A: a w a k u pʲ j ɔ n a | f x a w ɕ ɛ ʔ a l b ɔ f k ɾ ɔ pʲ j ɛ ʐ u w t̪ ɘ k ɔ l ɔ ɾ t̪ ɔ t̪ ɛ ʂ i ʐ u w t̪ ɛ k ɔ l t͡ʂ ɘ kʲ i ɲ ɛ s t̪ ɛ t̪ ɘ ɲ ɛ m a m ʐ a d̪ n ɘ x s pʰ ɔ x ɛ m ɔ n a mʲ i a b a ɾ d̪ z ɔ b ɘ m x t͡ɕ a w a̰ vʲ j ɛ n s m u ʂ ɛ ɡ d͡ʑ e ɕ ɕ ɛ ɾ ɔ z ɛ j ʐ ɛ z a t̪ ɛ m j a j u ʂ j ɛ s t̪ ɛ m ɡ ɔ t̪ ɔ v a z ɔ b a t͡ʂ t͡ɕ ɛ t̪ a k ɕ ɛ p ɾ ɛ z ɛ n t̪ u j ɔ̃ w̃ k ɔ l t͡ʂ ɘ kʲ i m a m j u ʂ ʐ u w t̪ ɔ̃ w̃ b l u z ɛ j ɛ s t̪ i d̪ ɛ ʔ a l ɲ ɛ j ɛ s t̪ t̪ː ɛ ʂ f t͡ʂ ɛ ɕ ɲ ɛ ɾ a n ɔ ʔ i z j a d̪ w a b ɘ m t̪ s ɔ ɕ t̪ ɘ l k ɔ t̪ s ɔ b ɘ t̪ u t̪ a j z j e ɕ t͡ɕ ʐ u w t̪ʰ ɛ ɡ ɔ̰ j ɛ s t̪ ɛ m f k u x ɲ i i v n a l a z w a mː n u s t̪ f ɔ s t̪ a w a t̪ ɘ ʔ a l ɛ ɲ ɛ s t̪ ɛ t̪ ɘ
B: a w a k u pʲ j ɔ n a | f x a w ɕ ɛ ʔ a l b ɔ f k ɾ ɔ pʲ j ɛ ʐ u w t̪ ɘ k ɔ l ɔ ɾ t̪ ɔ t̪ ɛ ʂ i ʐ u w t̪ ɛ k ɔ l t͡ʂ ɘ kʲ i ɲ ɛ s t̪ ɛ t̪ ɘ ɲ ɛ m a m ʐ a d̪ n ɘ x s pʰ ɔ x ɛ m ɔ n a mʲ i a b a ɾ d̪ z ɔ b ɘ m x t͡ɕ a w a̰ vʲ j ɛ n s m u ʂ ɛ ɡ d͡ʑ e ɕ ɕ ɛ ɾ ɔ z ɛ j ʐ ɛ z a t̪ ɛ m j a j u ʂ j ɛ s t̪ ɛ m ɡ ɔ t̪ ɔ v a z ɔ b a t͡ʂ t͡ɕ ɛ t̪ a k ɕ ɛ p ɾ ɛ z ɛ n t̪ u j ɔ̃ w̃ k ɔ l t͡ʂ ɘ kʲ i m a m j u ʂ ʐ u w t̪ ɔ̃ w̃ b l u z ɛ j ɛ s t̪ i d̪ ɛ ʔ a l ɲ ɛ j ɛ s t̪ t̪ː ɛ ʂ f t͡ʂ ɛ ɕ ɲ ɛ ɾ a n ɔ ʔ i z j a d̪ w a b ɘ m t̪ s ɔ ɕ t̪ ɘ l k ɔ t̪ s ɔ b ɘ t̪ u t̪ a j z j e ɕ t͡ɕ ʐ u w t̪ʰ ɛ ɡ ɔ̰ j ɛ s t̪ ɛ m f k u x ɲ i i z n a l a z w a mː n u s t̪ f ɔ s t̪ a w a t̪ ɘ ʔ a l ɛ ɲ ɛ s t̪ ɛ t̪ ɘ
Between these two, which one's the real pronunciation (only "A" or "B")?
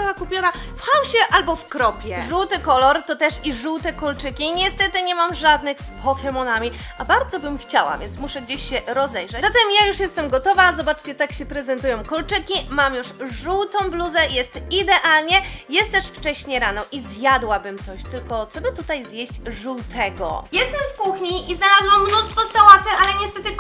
B